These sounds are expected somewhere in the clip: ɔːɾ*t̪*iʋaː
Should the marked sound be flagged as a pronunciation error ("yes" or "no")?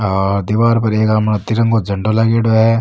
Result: yes